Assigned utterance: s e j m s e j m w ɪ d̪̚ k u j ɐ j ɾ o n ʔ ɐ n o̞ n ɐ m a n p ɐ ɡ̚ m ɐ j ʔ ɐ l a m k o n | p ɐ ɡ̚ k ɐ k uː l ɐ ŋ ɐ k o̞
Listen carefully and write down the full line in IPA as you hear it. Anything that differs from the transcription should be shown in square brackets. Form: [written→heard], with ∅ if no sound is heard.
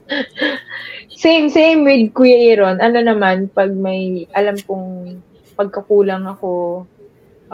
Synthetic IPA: s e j m s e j m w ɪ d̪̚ k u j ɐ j ɾ o n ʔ ɐ n o̞ n ɐ m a n p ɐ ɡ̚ m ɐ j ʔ ɐ l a m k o [n→ŋ] | p ɐ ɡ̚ k ɐ k uː l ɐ ŋ ɐ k o̞